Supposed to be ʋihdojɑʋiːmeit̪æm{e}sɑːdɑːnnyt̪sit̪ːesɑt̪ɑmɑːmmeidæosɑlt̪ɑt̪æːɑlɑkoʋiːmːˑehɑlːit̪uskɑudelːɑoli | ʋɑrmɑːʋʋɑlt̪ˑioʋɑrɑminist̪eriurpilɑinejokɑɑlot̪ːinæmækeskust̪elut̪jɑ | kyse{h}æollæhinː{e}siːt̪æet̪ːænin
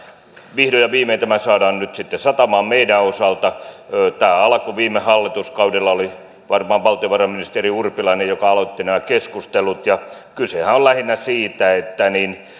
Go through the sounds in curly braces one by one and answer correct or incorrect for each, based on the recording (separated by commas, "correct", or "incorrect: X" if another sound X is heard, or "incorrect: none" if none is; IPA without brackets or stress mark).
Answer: incorrect: æ, correct, incorrect: æ